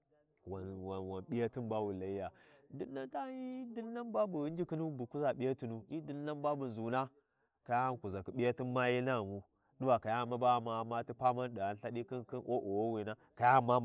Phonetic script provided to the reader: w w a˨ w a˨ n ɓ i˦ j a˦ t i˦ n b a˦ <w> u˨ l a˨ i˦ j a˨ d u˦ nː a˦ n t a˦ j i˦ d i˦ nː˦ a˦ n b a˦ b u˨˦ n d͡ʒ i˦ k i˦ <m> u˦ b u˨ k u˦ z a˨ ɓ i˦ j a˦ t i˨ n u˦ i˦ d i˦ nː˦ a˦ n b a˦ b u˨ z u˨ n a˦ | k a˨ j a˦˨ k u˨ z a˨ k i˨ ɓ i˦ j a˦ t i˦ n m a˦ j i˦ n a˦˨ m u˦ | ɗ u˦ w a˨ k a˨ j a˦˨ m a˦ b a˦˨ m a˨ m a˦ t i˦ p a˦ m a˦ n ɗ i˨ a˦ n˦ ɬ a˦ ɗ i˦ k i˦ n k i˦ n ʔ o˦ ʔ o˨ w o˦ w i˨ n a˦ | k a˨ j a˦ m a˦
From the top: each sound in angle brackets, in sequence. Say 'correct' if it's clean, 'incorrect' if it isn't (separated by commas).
correct, incorrect